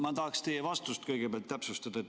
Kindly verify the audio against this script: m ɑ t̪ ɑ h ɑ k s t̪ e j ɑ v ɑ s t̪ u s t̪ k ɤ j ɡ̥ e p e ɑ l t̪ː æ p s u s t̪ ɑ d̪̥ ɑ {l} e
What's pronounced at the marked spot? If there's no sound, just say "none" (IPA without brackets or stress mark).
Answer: none